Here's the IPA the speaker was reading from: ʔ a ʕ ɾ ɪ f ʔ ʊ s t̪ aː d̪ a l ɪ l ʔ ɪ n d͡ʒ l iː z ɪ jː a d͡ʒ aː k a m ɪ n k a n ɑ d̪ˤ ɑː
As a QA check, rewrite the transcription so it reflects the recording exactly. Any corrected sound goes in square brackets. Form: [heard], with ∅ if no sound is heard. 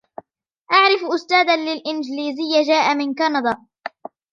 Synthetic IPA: ʔ a ʕ ɾ ɪ f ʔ ʊ s t̪ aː d̪ a l ɪ l ʔ ɪ n d͡ʒ l iː z ɪ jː a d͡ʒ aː [ʔ] a m ɪ n k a n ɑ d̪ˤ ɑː